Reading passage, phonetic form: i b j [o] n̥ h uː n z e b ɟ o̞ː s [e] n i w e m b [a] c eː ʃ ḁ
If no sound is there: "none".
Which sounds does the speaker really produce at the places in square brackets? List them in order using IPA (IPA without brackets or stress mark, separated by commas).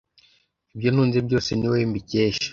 o, e, i